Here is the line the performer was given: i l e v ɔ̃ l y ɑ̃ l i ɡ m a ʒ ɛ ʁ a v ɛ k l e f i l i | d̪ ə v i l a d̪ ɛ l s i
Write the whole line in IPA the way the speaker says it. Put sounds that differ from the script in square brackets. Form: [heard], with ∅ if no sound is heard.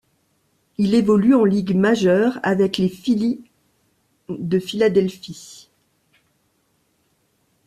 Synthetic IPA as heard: i l e v [ɔ] l y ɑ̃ l i ɡ m a ʒ [œ] ʁ a v ɛ k l e f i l i | d̪ ə [f] i l a d̪ ɛ l [f] i